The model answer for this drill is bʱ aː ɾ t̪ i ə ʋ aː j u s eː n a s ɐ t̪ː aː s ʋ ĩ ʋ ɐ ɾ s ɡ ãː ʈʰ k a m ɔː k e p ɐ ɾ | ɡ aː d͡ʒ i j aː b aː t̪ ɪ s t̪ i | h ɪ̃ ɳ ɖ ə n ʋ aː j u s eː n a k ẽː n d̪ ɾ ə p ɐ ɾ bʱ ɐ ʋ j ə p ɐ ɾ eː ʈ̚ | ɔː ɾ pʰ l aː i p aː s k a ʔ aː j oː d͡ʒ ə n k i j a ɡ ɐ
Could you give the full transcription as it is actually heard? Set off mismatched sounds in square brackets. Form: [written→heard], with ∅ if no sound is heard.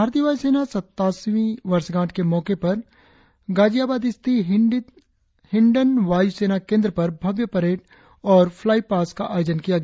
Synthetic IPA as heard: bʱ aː ɾ t̪ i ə ʋ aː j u s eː n a s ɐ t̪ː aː s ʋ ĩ ʋ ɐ ɾ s ɡ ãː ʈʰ k [a→e] m ɔː k e p ɐ ɾ | ɡ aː d͡ʒ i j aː b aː [t̪→d̪] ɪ s t̪ i | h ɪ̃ ɳ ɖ ə n ʋ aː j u s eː n a k ẽː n d̪ ɾ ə p ɐ ɾ bʱ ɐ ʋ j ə p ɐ ɾ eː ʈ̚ | ɔː ɾ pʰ l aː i p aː s k a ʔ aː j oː d͡ʒ ə n k i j a ɡ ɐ